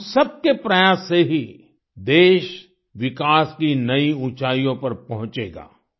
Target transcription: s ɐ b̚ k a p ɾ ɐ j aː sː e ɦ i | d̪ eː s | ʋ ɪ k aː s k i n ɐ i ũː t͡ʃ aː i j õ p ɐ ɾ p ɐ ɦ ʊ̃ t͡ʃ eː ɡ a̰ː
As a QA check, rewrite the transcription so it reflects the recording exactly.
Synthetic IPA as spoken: s ɐ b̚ k e p ɾ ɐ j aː sː e ɦ i | d̪ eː ʃ | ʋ ɪ k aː s k i n ɐ i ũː t͡ʃ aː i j õ p ɐ ɾ p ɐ ɦ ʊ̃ t͡ʃ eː ɡ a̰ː